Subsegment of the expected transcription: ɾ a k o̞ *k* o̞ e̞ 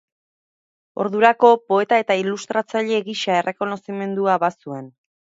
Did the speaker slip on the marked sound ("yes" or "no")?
yes